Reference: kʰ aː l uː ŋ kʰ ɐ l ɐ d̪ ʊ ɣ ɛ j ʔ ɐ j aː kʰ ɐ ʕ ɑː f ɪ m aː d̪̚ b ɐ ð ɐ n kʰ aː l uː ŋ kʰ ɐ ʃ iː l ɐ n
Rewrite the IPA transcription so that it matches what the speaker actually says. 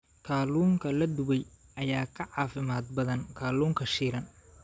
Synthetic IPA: kʰ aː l uː ŋ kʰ ɐ l ɐ d̪ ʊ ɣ ɛ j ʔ ɐ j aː kʰ ɐ ʕ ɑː f ɪ m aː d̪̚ b ɐ ð ɐ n kʰ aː l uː ŋ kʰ ɐ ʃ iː ɾ ɐ n